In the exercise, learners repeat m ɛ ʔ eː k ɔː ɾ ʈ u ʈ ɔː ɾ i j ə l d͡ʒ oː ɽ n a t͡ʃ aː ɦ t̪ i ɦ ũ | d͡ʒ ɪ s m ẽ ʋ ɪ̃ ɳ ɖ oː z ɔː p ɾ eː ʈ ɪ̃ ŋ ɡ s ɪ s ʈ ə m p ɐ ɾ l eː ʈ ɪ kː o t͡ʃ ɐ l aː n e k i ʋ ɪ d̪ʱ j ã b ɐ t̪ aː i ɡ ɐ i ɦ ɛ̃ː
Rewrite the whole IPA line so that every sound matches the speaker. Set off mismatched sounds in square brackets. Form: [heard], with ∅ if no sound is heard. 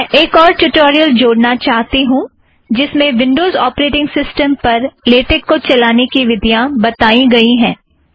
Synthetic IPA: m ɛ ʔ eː k ɔː ɾ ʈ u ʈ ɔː ɾ i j ə l d͡ʒ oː ɽ n a t͡ʃ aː ɦ t̪ i ɦ ũ | d͡ʒ ɪ s m ẽ ʋ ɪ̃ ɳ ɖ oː z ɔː p ɾ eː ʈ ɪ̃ ŋ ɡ s ɪ s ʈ ə m p ɐ ɾ l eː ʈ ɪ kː o t͡ʃ ɐ l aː n e k i ʋ ɪ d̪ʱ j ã b ɐ t̪ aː i ɡ ɐ i ɦ ɛ̃ː